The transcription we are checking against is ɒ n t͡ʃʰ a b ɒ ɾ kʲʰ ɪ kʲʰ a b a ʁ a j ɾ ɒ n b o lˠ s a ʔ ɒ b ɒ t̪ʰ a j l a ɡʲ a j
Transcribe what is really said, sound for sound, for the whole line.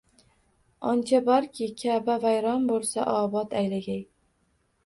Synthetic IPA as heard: ɒ n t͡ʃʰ a b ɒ ɾ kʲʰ ɪ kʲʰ a b a v a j ɾ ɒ n b o lˠ s a ʔ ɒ b ɒ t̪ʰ a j l a ɡʲ a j